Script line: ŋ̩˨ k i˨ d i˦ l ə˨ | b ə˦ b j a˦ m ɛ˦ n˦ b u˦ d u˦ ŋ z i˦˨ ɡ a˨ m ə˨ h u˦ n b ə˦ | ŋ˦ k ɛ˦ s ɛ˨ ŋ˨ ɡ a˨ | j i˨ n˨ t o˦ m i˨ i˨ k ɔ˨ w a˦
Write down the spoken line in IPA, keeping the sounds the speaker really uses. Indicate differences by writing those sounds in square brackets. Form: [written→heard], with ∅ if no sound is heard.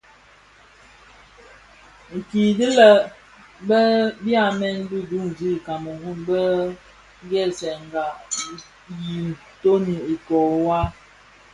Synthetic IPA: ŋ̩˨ k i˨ d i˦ l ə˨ | b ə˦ b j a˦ m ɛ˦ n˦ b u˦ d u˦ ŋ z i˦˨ [ɡ→k] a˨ m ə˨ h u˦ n b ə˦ | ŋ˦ [k→ɡ] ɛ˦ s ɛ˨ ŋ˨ ɡ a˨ | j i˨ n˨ t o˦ [m→n] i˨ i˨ k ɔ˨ w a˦